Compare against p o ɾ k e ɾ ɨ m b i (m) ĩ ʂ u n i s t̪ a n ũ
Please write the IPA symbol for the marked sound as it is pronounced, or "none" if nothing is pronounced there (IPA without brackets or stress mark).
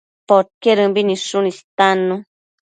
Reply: n